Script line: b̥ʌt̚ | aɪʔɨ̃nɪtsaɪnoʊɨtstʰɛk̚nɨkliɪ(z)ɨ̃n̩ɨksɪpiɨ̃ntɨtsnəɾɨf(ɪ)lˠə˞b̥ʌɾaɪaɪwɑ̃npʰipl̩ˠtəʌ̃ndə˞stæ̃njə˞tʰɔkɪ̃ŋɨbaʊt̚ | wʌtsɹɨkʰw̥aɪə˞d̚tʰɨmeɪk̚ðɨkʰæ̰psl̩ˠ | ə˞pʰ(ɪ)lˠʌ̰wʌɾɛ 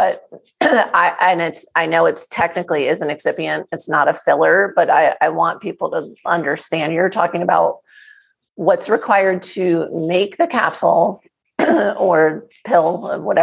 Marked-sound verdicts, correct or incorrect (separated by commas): correct, correct, correct